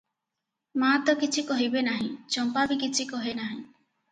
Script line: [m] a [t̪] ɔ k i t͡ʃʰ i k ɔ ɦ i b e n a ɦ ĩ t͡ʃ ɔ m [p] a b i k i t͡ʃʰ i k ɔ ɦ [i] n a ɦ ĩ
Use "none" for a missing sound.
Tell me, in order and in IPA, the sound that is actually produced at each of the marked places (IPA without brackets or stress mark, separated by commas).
m, t̪, p, e